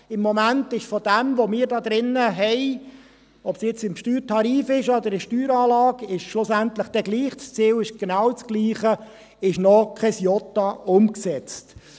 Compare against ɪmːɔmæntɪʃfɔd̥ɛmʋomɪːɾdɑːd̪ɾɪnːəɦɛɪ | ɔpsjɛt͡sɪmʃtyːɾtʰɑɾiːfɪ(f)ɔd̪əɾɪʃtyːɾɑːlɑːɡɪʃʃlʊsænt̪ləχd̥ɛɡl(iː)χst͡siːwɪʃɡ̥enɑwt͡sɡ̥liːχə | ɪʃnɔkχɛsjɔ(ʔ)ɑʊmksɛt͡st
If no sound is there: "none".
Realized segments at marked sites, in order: ʃ, iː, t

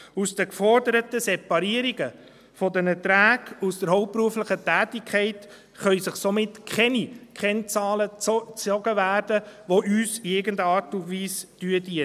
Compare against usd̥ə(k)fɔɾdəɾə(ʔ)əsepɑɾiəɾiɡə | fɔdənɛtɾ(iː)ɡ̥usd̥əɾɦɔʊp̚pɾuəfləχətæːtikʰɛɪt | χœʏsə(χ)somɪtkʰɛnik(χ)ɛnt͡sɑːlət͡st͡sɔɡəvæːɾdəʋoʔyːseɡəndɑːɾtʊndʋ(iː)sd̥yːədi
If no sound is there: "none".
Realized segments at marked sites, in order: k, t, æː, χ, χ, iː

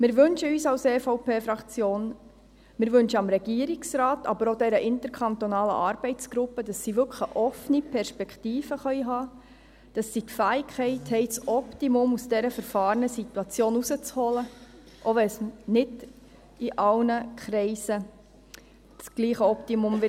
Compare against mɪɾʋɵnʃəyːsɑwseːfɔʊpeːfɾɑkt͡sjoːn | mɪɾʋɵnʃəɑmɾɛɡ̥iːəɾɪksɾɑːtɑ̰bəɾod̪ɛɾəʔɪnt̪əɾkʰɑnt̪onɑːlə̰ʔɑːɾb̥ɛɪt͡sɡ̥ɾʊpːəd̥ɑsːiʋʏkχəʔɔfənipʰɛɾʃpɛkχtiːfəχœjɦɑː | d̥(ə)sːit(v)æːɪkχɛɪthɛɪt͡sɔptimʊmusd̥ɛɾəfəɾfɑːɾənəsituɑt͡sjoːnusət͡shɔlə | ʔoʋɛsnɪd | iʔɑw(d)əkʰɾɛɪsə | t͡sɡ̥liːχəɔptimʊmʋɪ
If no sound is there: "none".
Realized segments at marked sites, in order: ɑ, f, n

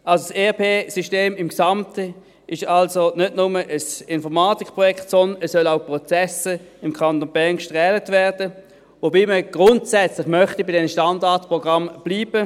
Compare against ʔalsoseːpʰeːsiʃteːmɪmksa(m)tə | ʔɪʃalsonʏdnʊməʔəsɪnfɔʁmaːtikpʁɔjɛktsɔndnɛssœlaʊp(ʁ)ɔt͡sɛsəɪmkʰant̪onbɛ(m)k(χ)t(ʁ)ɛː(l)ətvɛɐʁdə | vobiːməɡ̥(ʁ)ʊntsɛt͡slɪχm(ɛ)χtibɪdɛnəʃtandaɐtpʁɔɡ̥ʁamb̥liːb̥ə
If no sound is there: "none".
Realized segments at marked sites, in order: m, ʁ, ŋ, ʃ, ʁ, l, ʁ, œ

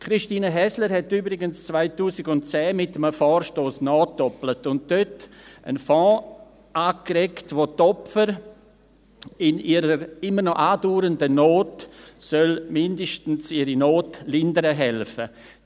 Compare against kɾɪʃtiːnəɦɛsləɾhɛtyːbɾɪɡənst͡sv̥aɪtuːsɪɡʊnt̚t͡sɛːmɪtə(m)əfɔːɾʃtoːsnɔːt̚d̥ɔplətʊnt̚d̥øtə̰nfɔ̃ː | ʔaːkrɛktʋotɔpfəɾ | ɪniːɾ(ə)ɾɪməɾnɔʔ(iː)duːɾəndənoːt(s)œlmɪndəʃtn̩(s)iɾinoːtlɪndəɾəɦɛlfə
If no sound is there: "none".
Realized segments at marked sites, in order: m, ə, aː, s, s

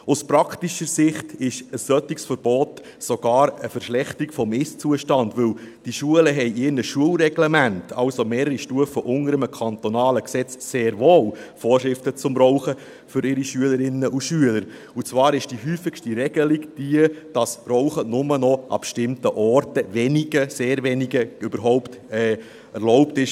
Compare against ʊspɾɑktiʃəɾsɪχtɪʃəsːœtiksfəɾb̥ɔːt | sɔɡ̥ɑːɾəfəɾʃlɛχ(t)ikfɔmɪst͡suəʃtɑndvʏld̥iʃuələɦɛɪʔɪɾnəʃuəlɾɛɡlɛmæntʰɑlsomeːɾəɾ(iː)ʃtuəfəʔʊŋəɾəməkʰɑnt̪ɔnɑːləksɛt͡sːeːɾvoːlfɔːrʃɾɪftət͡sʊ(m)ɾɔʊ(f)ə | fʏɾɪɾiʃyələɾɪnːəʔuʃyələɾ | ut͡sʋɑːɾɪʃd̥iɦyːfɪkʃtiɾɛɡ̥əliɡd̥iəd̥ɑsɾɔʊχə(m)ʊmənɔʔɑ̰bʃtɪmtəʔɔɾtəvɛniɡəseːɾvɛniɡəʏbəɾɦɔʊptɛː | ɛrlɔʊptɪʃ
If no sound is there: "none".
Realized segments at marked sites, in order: t, i, m, χ, n

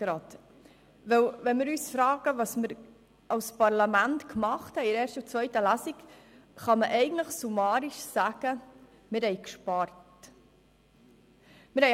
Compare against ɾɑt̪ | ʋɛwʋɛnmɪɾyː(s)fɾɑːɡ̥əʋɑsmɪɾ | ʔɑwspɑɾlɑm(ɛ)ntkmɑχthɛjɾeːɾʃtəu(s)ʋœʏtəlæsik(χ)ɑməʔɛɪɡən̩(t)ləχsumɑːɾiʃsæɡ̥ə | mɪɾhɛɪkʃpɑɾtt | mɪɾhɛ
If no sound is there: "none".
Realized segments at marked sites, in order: s, æ, t͡s, χ, t

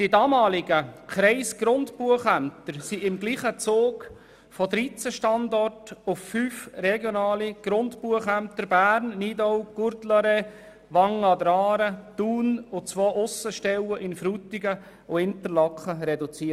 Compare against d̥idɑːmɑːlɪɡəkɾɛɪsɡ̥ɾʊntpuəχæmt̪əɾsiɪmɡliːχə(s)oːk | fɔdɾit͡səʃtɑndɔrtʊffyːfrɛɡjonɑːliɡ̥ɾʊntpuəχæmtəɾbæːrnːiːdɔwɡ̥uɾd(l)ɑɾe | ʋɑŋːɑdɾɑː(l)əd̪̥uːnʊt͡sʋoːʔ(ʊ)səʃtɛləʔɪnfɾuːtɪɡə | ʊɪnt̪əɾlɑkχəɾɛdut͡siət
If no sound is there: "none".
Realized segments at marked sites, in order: t͡s, l, ɾ, ʊ

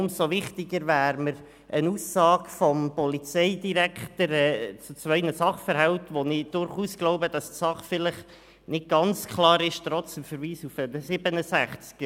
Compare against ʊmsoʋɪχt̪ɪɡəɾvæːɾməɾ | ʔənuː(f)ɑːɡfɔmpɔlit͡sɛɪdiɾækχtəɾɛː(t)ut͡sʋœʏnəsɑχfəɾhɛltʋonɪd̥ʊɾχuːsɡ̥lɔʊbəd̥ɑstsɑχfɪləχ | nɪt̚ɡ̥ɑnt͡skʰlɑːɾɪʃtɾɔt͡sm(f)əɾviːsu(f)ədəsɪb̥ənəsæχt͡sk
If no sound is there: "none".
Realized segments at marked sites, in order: s, t͡s, f, f

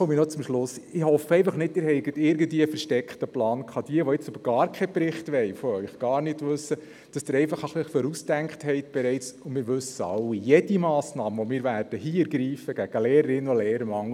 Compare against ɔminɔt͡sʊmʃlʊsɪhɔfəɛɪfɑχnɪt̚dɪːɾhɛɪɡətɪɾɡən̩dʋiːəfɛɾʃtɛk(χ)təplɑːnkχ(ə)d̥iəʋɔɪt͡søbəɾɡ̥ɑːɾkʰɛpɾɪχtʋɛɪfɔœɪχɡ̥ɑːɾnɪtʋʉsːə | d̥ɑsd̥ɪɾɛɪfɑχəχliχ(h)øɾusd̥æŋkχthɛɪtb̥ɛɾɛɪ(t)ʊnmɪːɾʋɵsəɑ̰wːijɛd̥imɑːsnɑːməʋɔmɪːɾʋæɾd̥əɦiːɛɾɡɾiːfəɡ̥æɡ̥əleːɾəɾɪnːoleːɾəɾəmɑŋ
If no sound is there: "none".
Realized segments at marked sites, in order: χ, ɑ, f, t͡s

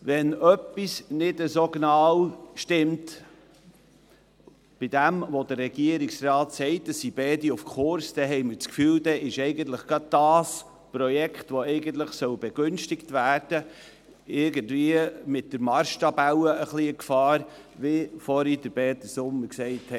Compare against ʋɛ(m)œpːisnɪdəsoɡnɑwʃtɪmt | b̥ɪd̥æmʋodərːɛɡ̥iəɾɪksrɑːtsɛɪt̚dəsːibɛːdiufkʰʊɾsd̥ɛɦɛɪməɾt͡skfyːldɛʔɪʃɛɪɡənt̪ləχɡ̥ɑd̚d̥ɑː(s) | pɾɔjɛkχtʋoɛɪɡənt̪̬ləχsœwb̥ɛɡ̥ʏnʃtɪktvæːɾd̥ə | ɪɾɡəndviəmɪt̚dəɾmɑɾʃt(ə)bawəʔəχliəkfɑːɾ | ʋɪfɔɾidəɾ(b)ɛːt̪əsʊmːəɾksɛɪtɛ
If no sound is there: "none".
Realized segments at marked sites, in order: n, s, ɑ, b

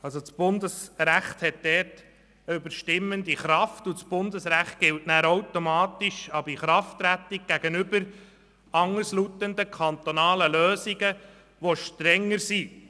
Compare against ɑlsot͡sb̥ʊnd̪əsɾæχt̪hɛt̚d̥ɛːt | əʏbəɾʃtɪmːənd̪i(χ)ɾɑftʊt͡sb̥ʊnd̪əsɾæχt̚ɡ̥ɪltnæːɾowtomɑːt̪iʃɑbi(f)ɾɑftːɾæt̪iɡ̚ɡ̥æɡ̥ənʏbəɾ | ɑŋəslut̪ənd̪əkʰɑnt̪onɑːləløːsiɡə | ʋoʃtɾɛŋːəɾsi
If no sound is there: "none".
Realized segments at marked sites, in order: χ, χ

